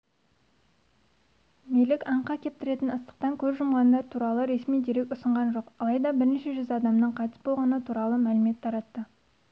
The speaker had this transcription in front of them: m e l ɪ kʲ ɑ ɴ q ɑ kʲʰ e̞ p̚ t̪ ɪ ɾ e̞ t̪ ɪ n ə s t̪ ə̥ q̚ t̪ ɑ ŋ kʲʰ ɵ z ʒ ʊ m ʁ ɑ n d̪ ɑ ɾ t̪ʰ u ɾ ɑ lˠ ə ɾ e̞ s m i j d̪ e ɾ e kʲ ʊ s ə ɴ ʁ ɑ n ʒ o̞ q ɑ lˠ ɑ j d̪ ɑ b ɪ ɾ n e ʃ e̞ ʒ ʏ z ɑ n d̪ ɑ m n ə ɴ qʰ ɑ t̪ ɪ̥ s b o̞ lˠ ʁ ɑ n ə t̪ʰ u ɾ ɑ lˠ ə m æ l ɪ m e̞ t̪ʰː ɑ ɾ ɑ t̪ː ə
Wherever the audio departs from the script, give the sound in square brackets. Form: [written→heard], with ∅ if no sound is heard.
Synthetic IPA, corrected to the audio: m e l ɪ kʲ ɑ ɴ q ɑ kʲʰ e̞ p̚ t̪ ɪ ɾ e̞ t̪ ɪ n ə s t̪ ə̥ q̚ t̪ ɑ ŋ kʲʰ ɵ z ʒ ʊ m ʁ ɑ n d̪ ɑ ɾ t̪ʰ u ɾ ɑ lˠ ə ɾ e̞ s m i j d̪ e ɾ e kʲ ʊ s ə ɴ ʁ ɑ n ʒ o̞ q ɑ lˠ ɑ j d̪ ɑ b ɪ ɾ n e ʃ e̞ ʒ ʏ z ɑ [n→∅] d̪ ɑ m n ə ɴ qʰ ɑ t̪ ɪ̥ s b o̞ lˠ ʁ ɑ n ə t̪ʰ u ɾ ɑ lˠ ə m æ l ɪ m e̞ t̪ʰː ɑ ɾ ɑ t̪ː ə